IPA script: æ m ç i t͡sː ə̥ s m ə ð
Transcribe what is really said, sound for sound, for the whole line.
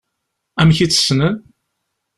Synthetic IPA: æ m ç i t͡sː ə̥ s n ə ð

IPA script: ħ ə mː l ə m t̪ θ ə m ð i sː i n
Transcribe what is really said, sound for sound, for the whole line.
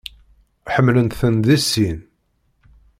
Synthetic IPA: ħ ə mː l ə n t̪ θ ə n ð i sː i n

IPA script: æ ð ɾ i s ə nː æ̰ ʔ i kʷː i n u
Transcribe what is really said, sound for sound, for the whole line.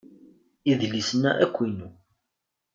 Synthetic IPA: i ð l i s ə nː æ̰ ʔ æ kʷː i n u

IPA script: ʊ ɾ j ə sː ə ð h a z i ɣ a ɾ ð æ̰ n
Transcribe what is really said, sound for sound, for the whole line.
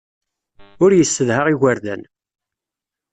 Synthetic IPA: ʊ ɾ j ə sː ə ð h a ʁ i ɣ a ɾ ð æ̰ n

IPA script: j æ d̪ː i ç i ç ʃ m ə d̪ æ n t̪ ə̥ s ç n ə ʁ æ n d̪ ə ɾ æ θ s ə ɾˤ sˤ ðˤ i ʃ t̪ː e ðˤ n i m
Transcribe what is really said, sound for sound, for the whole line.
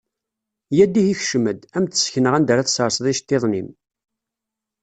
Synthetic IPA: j æ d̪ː i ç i ç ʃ m ə d̪ æ m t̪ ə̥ s ç n ə ʁ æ n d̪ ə ɾ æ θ s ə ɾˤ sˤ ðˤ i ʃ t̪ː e ðˤ n i m

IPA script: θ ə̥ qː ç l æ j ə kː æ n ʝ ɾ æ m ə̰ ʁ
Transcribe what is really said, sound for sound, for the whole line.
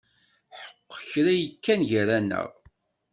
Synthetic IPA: ħ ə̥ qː ç ɾ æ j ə kː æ n ʝ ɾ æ n ə̰ ʁ

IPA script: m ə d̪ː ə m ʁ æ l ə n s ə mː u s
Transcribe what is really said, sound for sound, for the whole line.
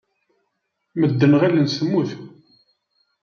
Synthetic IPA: m ə d̪ː ə n ʁ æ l ə n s ə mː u θ

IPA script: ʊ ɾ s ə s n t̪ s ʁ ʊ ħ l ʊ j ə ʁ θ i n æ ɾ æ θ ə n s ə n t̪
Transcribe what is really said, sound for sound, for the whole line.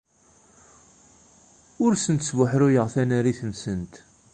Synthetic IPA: ʊ ɾ s ə n t̪ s v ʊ ħ ɾ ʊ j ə ʁ θ æ n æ ɾ i θ ə n s ə n t̪

